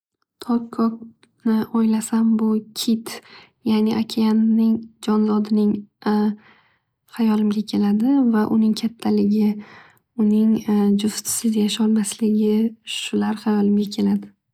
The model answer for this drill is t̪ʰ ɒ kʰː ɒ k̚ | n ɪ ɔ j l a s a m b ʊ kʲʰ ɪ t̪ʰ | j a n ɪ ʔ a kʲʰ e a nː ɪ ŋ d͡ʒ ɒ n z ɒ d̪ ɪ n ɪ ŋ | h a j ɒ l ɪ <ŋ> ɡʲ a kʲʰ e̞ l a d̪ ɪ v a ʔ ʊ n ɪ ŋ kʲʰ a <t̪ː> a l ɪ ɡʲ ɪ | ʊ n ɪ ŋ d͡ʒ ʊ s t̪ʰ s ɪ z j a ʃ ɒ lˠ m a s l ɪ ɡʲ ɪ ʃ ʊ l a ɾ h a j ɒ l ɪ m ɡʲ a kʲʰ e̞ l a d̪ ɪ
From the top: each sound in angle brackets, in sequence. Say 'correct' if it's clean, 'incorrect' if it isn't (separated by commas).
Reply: incorrect, incorrect